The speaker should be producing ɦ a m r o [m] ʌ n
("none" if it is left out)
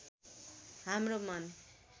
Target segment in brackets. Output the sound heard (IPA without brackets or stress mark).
m